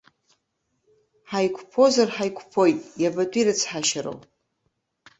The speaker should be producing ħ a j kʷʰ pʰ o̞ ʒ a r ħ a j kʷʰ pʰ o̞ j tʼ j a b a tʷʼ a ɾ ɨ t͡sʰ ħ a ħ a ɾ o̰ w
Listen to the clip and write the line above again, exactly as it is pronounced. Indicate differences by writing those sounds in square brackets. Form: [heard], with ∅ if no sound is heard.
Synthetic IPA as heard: ħ a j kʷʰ pʰ o̞ [z] a r ħ a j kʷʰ pʰ o̞ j tʼ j a b a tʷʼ [i] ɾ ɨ t͡sʰ ħ a [ʃ] a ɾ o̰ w